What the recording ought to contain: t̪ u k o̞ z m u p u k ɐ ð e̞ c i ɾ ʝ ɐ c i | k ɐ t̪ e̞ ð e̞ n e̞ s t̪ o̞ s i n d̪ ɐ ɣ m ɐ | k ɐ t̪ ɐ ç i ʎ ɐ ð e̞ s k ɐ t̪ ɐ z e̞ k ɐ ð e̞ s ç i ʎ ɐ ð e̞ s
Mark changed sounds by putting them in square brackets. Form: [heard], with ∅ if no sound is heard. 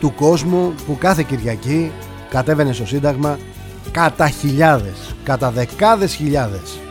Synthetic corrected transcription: t̪ u k o̞ z m u p u k ɐ [θ] e̞ c i ɾ ʝ ɐ c i | k ɐ t̪ e̞ [v] e̞ n e̞ s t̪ o̞ s i n d̪ ɐ ɣ m ɐ | k ɐ t̪ ɐ ç i ʎ ɐ ð e̞ s k ɐ t̪ ɐ [ð] e̞ k ɐ ð e̞ s ç i ʎ ɐ ð e̞ s